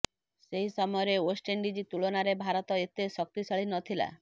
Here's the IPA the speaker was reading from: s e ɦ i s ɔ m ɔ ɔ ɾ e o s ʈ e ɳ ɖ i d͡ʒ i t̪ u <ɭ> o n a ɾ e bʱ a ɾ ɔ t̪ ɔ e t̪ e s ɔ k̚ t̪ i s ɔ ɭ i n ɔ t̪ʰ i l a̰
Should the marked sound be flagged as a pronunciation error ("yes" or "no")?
no